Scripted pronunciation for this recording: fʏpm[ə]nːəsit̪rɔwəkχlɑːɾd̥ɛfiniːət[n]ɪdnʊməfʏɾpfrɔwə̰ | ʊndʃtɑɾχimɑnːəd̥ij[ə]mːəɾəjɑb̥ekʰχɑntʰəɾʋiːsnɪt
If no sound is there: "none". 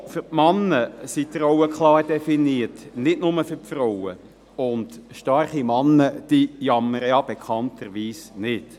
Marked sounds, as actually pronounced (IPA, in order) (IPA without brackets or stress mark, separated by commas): ɑ, n, ɑ